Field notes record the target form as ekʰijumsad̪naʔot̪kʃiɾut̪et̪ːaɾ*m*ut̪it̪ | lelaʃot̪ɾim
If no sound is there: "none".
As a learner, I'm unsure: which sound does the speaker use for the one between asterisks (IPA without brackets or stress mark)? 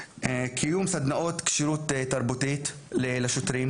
b